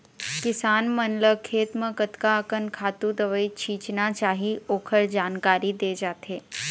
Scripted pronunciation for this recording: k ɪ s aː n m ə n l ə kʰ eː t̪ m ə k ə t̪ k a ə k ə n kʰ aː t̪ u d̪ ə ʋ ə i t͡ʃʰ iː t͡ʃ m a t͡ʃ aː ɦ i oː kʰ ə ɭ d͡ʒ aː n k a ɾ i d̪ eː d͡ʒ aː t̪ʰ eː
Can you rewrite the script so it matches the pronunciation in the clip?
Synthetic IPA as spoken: k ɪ s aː n m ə n l ə kʰ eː t̪ m ə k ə t̪ k a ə k ə n kʰ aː t̪ u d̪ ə ʋ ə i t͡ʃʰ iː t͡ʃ n a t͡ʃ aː ɦ i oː kʰ ə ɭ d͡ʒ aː n k a ɾ i d̪ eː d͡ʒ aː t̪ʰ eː